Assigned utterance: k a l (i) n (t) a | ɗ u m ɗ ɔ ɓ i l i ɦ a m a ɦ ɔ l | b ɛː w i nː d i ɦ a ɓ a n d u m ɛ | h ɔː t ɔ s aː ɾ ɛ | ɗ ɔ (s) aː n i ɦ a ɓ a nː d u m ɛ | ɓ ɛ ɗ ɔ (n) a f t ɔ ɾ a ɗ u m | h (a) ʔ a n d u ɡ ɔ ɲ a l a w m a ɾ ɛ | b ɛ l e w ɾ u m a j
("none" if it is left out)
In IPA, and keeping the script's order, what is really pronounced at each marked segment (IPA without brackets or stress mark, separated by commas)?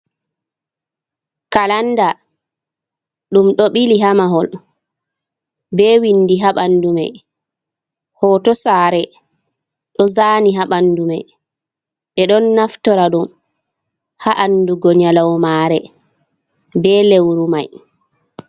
a, d, z, nː, a